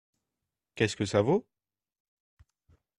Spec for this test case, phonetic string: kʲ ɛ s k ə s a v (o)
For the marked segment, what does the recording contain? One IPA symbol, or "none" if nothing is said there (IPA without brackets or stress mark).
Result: o